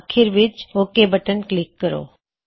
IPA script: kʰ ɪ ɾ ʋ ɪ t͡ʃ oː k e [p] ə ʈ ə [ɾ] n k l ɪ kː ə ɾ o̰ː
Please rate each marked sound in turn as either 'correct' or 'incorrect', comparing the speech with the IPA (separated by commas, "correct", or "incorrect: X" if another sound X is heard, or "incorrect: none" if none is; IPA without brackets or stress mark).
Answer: incorrect: b, incorrect: none